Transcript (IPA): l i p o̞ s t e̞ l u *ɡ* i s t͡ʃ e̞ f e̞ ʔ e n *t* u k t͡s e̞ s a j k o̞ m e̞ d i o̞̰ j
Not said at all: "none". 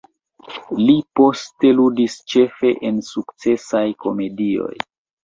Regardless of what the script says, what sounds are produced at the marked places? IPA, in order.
d, s

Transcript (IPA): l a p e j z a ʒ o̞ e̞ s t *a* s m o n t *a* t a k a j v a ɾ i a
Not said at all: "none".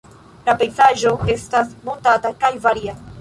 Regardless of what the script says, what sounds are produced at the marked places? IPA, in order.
a, a

